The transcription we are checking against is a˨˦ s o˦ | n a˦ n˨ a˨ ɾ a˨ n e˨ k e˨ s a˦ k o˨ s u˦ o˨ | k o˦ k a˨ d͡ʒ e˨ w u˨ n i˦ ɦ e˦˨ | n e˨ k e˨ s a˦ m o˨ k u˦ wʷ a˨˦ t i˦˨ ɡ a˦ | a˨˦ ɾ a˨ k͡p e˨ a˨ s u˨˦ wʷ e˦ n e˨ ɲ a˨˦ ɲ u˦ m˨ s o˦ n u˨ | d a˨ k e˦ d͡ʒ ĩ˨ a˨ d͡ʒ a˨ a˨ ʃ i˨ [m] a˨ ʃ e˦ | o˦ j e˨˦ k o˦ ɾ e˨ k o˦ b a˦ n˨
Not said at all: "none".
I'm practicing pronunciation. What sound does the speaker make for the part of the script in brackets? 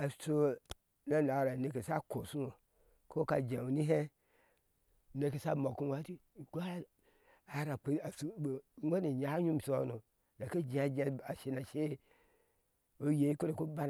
n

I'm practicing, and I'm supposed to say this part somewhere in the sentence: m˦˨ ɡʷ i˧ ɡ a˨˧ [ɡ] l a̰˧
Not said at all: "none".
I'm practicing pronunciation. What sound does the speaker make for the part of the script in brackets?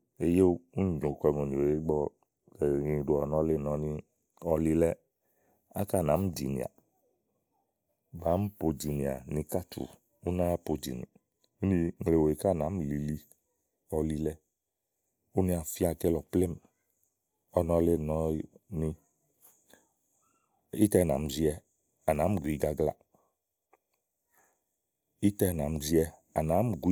ɡ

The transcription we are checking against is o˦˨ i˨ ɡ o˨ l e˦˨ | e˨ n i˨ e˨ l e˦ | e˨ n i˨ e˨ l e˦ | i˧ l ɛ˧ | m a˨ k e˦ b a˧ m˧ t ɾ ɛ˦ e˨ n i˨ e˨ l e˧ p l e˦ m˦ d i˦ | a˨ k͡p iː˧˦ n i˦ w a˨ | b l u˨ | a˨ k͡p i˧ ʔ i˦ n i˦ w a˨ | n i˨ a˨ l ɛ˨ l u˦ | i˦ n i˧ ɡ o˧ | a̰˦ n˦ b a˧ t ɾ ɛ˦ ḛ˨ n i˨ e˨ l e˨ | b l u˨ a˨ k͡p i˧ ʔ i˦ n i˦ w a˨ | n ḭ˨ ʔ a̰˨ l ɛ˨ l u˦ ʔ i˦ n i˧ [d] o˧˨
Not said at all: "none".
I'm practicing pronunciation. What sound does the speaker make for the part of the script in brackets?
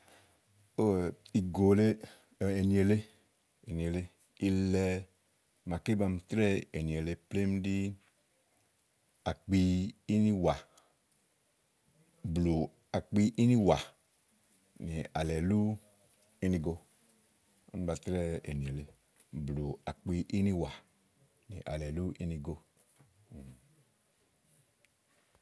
ɡ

